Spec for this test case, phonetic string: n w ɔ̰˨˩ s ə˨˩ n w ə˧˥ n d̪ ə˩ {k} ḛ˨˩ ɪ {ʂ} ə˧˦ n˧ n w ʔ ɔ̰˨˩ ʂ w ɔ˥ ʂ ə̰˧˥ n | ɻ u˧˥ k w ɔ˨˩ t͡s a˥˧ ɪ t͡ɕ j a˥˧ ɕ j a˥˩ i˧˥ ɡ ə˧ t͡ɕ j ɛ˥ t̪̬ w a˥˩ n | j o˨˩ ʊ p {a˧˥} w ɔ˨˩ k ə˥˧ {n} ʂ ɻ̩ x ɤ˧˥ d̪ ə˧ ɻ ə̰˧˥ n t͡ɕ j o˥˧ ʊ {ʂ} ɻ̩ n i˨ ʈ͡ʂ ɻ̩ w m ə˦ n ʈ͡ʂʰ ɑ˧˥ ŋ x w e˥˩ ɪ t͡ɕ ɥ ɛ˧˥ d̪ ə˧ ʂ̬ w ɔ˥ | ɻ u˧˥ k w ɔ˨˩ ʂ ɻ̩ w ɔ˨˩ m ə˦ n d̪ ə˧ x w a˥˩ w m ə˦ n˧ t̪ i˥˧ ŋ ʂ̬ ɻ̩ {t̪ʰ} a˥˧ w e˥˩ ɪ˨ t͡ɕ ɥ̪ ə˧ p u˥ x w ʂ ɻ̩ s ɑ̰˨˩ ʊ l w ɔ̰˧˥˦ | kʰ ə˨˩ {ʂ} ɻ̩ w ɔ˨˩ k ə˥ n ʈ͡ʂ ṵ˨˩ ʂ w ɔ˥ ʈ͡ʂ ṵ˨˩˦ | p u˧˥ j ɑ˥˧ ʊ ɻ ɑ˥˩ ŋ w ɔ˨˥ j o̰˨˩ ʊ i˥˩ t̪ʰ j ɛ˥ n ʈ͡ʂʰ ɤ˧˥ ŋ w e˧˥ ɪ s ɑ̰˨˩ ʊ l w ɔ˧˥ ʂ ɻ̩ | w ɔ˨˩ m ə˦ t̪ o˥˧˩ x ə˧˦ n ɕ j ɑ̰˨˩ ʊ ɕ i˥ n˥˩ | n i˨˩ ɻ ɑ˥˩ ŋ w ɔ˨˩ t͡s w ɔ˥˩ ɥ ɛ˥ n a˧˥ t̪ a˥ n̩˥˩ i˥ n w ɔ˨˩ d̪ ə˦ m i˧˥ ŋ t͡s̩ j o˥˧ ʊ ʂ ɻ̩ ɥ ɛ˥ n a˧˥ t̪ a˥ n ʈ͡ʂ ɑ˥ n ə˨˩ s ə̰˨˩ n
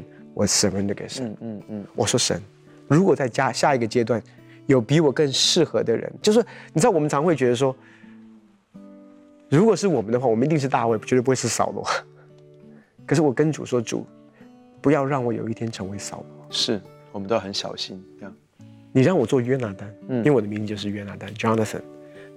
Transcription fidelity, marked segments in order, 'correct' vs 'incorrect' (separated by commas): correct, correct, incorrect, incorrect, correct, incorrect, correct